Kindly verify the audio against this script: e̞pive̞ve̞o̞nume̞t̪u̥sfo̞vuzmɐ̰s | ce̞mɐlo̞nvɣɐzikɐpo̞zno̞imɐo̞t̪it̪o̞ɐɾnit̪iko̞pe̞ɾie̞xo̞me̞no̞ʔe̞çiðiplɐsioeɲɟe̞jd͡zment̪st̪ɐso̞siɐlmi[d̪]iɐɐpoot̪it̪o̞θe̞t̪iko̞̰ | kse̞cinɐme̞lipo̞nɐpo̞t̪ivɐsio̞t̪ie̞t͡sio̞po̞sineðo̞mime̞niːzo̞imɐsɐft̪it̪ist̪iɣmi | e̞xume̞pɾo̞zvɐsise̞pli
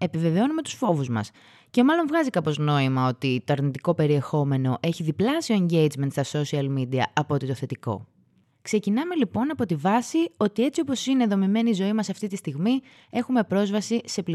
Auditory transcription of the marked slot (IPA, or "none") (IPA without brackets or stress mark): d̪